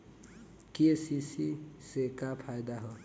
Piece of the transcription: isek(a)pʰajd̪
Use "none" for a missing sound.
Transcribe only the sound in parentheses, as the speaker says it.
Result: a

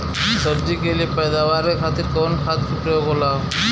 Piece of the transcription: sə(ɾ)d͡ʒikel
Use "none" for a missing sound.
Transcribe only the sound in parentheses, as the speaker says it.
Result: ɾ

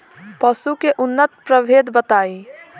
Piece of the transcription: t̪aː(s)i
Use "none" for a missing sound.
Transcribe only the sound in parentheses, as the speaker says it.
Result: none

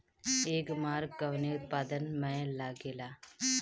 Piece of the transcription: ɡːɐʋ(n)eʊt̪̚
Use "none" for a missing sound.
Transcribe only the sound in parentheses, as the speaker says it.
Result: n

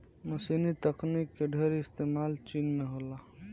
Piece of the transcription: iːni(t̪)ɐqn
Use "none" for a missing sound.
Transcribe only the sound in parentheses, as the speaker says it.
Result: t̪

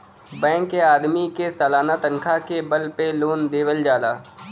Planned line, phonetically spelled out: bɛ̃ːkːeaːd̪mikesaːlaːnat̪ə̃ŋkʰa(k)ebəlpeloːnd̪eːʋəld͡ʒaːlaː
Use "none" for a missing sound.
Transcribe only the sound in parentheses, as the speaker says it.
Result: k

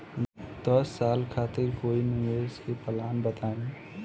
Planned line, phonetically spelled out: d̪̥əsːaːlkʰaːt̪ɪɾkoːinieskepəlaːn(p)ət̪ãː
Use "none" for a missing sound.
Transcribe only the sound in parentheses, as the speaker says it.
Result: b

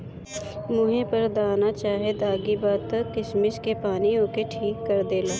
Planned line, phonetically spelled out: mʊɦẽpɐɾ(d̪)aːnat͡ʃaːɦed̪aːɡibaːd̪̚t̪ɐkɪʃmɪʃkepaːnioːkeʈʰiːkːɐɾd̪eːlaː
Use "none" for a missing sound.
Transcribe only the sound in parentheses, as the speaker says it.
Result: d̪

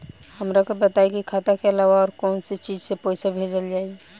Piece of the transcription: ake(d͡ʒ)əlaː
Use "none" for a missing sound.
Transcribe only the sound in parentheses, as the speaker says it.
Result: none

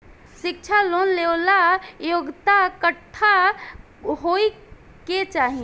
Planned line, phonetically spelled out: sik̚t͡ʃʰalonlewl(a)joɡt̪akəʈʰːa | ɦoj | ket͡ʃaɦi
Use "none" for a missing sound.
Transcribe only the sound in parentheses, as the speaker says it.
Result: a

